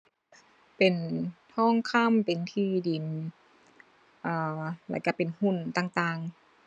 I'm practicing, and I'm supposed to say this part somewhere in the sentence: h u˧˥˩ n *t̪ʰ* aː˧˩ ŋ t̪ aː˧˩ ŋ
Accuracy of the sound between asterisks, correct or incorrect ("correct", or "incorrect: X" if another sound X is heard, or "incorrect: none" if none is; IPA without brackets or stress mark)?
incorrect: t̪